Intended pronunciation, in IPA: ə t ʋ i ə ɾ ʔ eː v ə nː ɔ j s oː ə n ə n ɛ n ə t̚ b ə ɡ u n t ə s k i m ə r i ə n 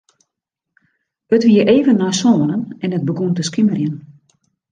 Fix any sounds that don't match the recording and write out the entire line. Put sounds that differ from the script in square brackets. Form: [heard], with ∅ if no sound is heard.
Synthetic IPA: ə t ʋ i ə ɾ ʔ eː v ə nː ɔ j s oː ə n ə n ɛ n ə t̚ b ə ɡ u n t ə s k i m ə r [j] ə n